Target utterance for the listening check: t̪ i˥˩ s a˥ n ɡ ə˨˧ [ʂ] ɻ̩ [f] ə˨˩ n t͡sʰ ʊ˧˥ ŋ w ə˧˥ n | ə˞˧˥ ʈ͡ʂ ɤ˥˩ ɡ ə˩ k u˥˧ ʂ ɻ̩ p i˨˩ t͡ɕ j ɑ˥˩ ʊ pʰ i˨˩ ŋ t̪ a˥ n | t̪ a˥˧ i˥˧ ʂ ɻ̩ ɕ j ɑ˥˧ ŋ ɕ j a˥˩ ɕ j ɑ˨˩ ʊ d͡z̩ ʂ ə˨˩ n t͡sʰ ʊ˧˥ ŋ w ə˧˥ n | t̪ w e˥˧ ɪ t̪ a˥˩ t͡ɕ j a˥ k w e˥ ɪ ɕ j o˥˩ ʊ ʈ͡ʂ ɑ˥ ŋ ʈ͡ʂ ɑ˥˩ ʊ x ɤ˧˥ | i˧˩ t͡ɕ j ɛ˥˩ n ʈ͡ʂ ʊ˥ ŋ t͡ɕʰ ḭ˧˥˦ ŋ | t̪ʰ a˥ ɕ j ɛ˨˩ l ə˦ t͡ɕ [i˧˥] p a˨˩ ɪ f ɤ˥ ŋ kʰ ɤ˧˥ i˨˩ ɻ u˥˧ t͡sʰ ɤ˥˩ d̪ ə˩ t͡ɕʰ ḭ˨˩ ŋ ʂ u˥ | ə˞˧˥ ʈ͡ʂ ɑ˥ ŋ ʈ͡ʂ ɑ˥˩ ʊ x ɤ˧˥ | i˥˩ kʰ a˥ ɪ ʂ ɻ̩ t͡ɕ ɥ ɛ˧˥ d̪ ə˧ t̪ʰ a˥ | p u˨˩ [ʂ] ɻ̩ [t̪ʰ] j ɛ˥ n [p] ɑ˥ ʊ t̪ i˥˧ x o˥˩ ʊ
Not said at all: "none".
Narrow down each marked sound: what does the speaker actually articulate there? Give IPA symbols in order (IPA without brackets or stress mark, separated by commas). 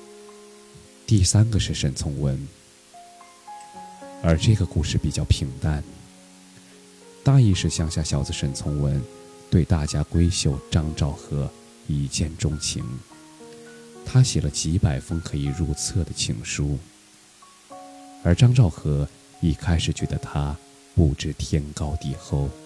ʂ, ʂ, i˧˥, ʈ͡ʂ, t̪ʰ, k